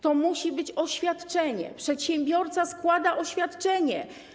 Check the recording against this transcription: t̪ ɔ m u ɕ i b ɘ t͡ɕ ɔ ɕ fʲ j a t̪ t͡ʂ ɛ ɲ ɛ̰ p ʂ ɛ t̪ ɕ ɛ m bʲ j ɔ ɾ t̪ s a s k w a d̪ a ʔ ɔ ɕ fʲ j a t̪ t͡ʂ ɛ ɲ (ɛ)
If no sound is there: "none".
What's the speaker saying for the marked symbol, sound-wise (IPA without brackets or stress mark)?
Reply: ɛ